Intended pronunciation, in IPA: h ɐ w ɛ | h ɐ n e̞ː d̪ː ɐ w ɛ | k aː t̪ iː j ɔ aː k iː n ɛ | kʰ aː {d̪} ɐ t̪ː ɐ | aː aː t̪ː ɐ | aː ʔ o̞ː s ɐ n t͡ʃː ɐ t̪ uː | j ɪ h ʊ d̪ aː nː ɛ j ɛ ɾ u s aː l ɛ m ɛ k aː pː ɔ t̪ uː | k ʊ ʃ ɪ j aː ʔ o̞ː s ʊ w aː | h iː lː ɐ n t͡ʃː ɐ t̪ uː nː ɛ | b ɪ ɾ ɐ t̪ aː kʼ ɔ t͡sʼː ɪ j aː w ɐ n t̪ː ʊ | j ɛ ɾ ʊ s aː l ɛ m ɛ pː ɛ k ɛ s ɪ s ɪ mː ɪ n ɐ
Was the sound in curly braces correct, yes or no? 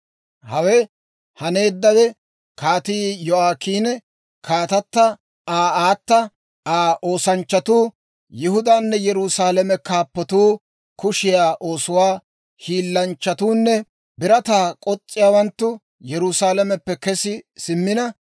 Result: no